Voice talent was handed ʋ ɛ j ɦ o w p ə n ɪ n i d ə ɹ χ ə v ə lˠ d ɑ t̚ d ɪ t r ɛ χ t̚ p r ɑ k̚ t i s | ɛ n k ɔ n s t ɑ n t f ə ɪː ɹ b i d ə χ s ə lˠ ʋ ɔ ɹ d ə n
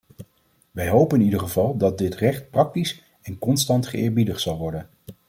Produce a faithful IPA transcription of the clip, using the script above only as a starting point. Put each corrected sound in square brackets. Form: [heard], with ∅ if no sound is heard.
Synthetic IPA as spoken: ʋ ɛ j ɦ o w p ə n ɪ n i d ə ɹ χ ə v [ɑ] lˠ d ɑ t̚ d ɪ t r ɛ χ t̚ p r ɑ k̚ t i s | ɛ n k ɔ n s t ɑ n t [χ] ə ɪː ɹ b i d ə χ s [ɑ] lˠ ʋ ɔ ɹ d ə n